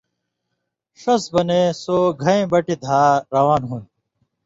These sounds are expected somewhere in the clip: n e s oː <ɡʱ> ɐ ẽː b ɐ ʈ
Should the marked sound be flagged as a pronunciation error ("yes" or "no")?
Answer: no